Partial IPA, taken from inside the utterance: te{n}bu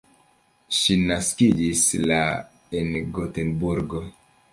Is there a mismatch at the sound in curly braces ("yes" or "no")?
no